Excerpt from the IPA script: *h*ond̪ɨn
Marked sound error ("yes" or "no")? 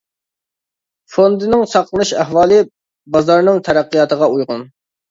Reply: yes